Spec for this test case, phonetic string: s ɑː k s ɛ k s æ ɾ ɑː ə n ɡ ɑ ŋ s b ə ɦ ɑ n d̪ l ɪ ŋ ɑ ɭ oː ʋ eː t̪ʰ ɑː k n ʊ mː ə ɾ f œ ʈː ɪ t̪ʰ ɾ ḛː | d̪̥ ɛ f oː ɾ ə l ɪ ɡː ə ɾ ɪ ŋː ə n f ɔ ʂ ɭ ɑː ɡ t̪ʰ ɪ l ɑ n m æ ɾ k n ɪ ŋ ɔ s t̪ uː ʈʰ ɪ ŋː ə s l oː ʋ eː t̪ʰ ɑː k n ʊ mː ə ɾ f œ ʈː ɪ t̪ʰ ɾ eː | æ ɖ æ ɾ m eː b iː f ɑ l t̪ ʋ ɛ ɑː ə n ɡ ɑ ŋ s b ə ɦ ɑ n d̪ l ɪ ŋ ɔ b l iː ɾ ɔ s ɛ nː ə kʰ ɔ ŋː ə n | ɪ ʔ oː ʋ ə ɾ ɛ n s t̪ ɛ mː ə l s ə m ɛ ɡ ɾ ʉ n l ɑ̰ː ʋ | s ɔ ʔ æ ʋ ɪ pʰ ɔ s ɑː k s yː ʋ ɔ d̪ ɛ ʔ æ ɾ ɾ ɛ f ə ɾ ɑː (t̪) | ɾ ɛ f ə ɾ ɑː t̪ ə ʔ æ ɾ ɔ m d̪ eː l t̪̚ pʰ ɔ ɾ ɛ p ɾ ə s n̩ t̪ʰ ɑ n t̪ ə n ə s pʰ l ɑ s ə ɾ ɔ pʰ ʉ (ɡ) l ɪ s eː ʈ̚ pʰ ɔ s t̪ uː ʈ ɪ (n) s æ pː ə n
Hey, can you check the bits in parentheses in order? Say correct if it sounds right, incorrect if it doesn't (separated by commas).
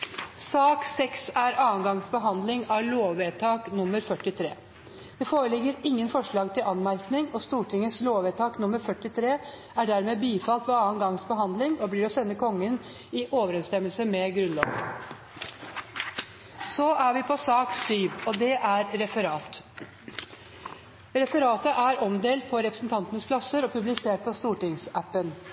correct, incorrect, incorrect